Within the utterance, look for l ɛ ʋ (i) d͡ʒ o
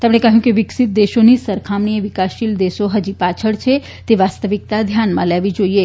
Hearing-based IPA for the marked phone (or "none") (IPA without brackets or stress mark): i